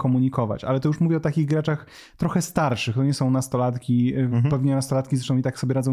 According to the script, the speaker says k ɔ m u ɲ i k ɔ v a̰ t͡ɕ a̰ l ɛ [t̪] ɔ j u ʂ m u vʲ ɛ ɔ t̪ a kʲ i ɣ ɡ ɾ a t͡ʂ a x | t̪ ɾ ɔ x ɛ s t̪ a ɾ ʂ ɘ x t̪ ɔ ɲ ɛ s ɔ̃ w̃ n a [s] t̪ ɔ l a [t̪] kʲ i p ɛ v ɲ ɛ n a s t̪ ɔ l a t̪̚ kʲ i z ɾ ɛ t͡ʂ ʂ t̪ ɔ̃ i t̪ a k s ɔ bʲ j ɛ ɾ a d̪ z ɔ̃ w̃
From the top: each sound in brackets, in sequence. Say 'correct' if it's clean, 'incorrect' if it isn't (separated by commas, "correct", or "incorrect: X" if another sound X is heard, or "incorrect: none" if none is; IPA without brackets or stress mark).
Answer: correct, correct, correct